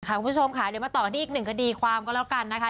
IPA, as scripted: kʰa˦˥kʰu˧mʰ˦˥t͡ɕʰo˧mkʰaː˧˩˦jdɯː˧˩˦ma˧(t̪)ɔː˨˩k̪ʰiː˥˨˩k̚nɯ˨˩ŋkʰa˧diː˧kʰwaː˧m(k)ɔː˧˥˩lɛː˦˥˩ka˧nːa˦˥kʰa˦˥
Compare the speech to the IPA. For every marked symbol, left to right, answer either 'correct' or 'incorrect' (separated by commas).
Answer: correct, correct